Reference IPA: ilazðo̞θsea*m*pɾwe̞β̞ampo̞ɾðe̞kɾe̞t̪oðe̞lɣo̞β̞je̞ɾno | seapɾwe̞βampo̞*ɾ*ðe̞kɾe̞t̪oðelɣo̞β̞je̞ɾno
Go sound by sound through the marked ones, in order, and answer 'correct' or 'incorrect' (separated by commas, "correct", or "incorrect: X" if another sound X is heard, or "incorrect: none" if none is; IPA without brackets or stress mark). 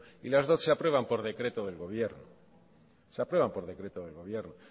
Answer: incorrect: none, correct